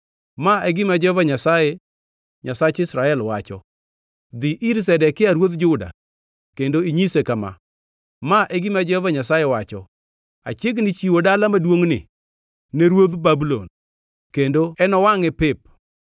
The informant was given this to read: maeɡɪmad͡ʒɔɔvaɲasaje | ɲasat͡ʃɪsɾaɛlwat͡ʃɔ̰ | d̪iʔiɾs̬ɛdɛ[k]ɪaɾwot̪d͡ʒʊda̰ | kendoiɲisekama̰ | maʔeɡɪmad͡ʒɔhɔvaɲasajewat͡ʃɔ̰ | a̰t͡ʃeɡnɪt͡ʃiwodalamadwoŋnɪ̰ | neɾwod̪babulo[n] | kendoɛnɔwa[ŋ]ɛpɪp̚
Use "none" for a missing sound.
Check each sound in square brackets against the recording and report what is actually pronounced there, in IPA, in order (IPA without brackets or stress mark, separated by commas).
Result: k, n, ŋ